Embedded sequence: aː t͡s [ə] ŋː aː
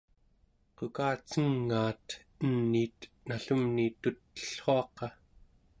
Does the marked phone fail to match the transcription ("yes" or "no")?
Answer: no